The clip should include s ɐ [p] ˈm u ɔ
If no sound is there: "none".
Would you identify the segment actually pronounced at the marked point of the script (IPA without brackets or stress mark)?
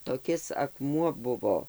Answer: k